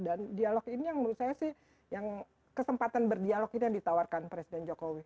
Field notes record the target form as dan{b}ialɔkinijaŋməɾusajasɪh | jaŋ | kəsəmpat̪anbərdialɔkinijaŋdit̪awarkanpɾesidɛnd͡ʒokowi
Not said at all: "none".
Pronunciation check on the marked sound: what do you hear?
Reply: d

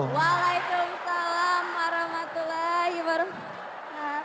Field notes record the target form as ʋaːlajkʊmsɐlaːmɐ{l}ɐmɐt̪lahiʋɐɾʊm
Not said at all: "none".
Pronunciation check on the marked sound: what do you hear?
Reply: ɾ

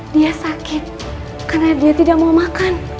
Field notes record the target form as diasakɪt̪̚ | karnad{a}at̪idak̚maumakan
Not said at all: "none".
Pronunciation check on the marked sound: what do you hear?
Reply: i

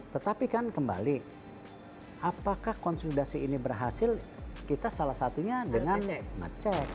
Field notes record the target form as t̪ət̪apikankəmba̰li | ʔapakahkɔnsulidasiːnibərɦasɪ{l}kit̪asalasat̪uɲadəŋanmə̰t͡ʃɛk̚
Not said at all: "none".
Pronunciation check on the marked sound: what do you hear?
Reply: l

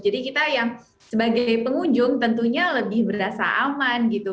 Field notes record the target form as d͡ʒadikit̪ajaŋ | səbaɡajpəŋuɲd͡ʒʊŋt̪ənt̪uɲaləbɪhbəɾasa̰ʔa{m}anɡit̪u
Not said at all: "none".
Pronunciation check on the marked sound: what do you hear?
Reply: m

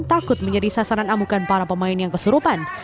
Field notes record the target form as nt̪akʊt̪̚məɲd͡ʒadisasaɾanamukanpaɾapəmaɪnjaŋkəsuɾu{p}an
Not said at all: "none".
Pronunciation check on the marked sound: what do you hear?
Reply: p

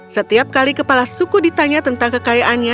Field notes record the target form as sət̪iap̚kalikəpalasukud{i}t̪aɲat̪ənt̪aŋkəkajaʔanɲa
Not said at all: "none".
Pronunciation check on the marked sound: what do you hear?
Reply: i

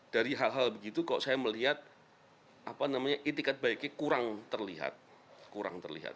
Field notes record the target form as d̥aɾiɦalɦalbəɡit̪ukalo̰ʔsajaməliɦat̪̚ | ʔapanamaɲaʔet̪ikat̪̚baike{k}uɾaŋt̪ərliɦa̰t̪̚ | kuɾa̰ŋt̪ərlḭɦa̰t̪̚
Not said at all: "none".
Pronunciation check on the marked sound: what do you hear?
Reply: k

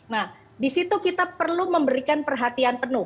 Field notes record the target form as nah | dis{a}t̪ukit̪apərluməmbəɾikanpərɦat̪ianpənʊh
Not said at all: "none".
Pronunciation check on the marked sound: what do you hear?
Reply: i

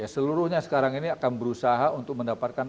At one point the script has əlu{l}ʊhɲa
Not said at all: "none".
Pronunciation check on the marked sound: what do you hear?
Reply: ɾ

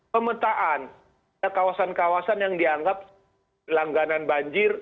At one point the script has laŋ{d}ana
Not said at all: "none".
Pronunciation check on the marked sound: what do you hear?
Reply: ɡ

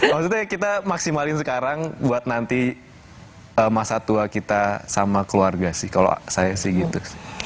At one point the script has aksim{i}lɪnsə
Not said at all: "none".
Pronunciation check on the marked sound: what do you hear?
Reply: a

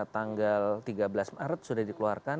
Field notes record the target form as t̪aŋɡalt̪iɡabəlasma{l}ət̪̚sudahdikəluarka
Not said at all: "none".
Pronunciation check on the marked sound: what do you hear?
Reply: ɾ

